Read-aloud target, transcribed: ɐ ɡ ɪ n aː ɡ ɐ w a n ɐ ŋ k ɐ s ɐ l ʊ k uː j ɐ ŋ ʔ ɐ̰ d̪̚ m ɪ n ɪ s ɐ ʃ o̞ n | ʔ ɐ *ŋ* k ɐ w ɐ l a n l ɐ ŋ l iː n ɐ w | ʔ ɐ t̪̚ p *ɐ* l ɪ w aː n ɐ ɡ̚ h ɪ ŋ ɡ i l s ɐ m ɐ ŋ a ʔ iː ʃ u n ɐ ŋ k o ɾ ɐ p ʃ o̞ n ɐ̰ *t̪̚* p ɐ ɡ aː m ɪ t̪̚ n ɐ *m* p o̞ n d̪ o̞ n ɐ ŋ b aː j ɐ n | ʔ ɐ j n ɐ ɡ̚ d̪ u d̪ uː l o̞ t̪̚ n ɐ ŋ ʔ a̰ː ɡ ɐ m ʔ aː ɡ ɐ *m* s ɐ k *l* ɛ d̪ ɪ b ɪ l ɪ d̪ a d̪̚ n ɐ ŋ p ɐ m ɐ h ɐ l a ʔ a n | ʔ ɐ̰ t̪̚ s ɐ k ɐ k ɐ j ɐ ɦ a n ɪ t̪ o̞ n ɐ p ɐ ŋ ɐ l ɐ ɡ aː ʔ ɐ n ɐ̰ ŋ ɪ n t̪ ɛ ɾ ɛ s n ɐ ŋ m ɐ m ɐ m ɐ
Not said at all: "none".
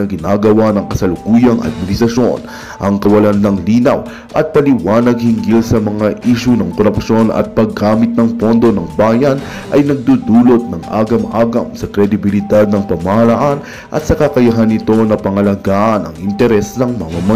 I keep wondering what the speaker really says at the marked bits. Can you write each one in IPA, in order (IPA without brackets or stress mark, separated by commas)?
ŋ, ɐ, t̪̚, ŋ, m, ɾ